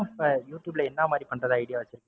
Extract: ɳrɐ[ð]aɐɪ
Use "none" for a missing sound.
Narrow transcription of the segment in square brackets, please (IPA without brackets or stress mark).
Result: ð